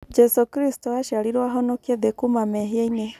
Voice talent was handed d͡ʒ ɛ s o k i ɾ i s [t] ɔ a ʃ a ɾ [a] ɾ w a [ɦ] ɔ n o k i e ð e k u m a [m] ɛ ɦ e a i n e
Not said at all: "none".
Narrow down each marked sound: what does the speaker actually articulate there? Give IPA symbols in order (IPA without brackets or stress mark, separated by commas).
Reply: t, i, ɦ, m